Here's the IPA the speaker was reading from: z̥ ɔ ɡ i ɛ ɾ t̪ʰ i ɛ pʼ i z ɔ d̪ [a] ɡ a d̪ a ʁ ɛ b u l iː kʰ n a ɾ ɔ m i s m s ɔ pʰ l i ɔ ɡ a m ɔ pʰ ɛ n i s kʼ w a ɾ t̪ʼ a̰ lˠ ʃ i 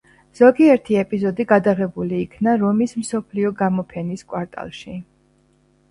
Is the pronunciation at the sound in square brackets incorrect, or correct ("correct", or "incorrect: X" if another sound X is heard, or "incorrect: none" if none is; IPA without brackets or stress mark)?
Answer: incorrect: i